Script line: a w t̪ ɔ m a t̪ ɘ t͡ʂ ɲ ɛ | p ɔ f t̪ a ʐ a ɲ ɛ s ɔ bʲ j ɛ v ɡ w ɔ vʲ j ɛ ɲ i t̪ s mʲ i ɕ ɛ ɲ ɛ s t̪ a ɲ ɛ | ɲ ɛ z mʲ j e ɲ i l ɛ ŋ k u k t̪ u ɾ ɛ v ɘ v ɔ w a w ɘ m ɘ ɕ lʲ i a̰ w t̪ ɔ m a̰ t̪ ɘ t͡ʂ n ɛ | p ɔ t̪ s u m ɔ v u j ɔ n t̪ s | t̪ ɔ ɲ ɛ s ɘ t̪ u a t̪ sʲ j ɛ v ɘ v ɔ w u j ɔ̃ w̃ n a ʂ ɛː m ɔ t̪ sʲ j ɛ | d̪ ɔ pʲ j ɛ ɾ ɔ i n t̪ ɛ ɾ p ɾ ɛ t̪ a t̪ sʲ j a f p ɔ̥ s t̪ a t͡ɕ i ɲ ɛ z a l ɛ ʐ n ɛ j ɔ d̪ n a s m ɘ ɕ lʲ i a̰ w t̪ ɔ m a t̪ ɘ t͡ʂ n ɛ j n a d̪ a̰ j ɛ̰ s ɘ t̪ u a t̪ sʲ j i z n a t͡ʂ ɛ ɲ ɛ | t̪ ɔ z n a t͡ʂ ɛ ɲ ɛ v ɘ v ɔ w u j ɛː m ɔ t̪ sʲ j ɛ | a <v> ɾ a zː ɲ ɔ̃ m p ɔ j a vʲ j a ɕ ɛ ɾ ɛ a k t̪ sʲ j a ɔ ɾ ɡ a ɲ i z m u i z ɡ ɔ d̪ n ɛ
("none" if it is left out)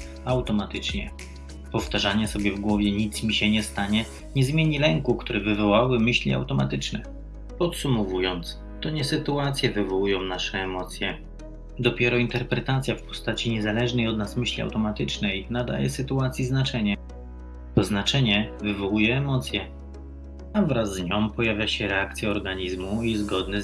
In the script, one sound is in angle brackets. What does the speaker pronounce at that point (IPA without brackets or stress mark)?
v